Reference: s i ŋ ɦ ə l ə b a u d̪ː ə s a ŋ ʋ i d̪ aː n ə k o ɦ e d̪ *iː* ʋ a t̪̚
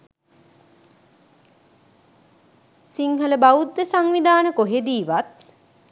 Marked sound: correct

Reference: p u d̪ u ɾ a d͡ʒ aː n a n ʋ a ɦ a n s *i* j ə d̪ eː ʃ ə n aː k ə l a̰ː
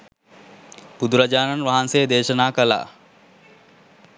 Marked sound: incorrect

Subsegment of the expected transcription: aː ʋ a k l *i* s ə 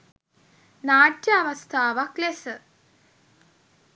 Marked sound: incorrect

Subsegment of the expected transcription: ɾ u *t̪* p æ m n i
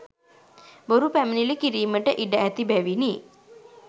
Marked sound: incorrect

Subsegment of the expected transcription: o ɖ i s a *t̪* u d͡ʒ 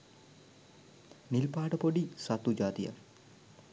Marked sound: correct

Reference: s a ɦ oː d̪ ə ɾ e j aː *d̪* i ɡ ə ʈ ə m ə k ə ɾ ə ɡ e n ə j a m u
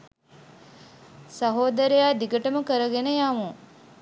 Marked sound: correct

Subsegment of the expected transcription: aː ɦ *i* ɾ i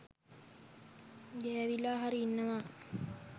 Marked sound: incorrect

